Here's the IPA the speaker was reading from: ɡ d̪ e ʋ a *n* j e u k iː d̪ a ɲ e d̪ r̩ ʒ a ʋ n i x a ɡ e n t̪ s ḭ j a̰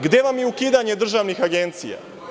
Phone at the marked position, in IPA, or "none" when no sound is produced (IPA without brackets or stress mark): m